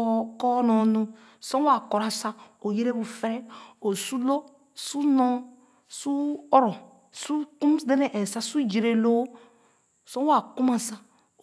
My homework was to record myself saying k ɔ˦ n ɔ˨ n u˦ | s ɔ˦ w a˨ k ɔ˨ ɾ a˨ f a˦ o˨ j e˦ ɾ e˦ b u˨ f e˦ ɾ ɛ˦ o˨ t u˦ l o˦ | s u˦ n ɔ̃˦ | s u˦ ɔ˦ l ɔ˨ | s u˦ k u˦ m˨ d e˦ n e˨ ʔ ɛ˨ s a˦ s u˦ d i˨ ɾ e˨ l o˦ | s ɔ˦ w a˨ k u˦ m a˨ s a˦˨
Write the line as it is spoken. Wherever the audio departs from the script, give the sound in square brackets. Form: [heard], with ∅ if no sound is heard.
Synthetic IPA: k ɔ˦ n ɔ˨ n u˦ | s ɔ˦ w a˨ k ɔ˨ ɾ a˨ [s] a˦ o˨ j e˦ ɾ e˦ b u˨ f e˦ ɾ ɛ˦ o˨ [s] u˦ l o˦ | s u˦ n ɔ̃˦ | s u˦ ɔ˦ [ɾ] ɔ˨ | s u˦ k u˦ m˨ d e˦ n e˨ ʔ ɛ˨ s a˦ s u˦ [d͡ʒ] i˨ ɾ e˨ l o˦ | s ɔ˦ w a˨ k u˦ m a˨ s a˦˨